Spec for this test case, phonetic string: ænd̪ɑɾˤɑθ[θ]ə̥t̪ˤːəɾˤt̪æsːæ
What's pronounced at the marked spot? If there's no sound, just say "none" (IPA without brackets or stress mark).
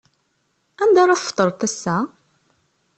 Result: f